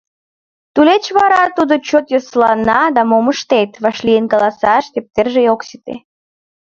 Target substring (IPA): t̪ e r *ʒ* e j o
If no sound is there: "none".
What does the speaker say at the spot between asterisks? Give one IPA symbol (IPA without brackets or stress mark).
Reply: ʒ